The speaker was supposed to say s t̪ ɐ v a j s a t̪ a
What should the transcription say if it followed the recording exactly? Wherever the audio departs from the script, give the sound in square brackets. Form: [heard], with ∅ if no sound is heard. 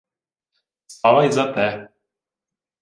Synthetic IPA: s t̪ [a] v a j [z] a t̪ [ɛ]